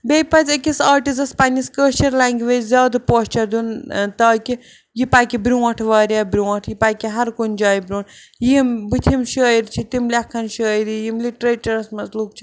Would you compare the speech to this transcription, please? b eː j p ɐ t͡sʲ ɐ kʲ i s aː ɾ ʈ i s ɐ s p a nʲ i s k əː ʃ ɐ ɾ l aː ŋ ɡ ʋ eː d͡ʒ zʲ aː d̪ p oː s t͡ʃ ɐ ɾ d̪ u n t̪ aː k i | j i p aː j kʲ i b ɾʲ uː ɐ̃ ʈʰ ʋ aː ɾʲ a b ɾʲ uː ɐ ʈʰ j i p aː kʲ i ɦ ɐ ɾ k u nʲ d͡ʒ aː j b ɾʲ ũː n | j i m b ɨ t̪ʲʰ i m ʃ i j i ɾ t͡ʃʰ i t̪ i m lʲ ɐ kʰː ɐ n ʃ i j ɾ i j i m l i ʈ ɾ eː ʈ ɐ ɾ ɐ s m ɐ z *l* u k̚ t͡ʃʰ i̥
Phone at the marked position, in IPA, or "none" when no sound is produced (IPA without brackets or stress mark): l